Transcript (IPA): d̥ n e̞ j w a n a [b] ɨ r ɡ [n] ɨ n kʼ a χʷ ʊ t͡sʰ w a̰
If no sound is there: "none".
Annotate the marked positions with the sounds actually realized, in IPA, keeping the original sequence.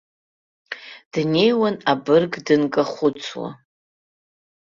b, d

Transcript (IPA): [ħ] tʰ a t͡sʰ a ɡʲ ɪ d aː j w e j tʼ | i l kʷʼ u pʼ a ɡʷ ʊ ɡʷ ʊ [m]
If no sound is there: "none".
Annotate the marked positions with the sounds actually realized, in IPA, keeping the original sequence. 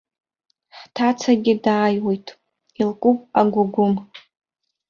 ħ, m

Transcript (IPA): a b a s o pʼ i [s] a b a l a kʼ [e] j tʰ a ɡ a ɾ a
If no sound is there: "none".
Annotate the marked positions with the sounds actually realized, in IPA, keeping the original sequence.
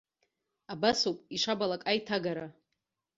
ʂ, a

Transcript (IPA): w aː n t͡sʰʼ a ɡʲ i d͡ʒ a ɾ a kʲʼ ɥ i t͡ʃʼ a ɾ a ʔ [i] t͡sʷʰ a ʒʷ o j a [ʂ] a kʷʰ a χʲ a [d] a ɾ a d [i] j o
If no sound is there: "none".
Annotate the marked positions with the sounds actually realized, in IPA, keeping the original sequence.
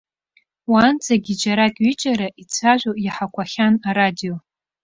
i, ħ, n, i

